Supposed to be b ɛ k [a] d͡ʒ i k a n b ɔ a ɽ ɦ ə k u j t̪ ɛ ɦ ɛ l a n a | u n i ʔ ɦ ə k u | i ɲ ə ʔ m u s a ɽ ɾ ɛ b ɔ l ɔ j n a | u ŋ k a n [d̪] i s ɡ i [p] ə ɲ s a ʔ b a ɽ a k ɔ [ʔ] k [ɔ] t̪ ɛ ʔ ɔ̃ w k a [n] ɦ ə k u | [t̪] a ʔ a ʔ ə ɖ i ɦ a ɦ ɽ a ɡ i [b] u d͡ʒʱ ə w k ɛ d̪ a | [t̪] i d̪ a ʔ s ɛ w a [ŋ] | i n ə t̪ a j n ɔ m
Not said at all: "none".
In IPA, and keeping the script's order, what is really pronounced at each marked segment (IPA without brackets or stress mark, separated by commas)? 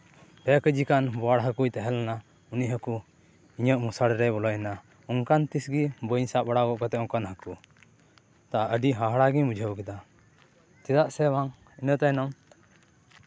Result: ə, t̪, b, ʔ, ɔ, n, t̪, m, t̪, ŋ